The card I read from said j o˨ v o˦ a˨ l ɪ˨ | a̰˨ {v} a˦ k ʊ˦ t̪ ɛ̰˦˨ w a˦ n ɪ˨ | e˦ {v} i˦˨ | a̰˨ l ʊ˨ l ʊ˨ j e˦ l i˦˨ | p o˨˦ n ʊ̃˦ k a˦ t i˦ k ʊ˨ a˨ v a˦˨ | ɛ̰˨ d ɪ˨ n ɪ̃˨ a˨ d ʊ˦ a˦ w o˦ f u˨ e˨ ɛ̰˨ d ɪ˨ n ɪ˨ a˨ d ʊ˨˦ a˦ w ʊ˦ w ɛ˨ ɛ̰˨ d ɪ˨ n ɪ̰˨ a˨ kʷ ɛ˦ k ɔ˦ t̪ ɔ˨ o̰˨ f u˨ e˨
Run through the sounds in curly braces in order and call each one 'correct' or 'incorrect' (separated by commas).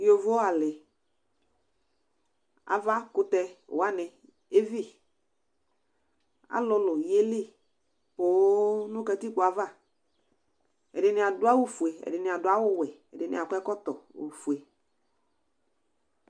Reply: correct, correct